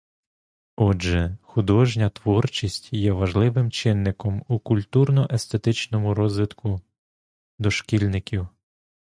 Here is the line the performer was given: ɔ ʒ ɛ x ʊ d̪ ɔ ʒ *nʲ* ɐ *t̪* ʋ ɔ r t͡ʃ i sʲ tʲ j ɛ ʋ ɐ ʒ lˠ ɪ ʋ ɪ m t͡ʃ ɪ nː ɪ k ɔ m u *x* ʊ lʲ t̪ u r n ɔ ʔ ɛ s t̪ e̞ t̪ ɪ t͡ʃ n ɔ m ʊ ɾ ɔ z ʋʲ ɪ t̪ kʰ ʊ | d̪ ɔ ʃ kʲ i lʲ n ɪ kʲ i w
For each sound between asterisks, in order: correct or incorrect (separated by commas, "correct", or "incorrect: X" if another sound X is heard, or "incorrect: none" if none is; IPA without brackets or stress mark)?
correct, correct, incorrect: k